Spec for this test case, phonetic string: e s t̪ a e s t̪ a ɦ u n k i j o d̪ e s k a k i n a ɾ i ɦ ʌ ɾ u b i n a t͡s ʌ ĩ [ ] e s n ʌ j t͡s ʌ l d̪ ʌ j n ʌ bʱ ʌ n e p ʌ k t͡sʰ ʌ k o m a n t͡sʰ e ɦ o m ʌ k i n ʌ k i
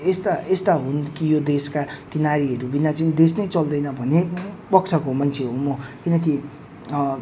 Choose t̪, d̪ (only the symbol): d̪